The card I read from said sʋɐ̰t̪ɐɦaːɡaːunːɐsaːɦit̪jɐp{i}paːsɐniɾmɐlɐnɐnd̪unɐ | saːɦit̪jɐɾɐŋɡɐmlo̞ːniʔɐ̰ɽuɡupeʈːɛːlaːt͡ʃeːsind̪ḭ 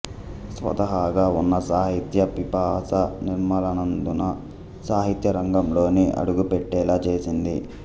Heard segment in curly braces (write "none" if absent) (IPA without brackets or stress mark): i